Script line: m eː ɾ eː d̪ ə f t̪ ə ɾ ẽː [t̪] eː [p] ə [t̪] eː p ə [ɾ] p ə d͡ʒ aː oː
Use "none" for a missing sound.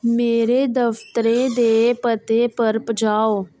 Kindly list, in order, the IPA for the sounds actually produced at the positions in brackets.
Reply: d̪, p, t̪, ɾ

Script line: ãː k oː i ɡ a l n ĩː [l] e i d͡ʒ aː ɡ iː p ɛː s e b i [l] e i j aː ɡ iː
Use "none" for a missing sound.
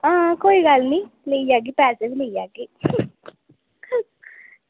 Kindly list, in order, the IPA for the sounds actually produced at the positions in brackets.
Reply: l, l

